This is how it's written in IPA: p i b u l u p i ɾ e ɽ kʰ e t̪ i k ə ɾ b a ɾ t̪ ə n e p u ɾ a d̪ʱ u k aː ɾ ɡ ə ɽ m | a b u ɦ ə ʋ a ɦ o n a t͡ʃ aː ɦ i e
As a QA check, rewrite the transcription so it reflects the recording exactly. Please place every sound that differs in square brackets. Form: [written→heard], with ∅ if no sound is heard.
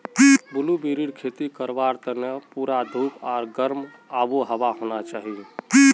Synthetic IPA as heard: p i b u l u [p→b] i ɾ [e→i] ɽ kʰ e t̪ i k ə ɾ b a ɾ t̪ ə n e p u ɾ a d̪ʱ u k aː ɾ ɡ ə [ɽ→ɾ] m | a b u ɦ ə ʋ a ɦ o n a t͡ʃ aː ɦ i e